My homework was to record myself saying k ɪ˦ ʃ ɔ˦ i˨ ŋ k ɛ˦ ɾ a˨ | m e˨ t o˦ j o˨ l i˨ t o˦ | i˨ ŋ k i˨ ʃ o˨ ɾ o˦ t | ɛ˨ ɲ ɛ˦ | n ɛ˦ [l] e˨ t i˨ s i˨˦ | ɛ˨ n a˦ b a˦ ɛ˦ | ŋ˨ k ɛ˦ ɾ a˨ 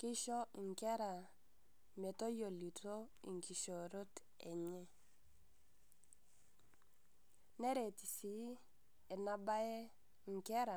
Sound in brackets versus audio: incorrect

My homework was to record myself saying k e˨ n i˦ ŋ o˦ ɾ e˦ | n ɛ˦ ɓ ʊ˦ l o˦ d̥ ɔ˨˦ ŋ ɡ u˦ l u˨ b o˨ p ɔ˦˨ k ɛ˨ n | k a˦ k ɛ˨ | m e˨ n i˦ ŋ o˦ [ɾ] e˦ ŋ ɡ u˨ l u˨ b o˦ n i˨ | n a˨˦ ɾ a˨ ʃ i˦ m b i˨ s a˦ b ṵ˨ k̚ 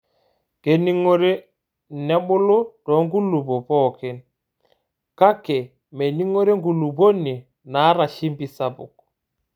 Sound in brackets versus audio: correct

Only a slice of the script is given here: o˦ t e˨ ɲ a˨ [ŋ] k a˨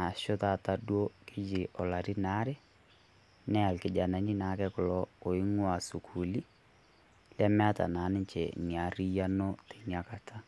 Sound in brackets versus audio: incorrect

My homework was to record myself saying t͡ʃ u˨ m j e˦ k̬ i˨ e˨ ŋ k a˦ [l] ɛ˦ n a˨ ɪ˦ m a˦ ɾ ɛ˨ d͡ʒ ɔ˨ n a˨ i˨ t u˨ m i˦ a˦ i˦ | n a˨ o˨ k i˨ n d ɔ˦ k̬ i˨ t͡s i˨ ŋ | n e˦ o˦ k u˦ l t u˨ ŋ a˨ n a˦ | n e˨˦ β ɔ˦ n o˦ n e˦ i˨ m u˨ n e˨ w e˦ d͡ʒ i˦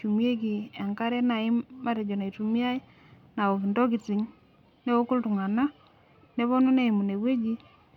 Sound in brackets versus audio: incorrect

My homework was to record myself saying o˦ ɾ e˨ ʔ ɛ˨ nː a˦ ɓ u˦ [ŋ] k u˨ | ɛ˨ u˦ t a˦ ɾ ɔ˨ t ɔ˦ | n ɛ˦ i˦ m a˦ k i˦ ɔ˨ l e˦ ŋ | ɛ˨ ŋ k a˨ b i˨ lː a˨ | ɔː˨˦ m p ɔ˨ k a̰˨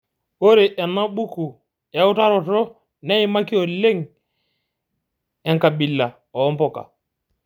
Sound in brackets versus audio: incorrect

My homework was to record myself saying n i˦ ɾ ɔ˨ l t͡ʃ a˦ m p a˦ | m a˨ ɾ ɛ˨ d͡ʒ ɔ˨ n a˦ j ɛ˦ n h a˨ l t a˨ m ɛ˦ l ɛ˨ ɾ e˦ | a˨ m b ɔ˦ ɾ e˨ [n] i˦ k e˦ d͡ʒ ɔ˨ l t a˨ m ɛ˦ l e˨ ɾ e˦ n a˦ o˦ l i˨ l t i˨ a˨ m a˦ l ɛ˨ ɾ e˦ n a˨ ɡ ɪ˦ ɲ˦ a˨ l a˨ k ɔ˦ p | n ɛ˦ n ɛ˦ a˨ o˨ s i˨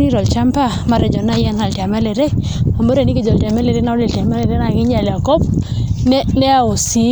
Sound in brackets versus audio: correct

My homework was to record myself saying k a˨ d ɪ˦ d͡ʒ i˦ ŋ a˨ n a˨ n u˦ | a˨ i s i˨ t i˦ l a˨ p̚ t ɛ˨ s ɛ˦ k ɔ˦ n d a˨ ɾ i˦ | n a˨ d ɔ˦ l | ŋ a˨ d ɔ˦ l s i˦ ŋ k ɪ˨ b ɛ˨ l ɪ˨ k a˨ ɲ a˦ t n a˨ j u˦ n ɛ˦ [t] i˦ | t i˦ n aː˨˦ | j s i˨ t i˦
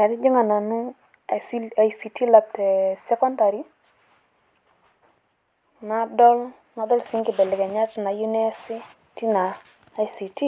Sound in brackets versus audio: incorrect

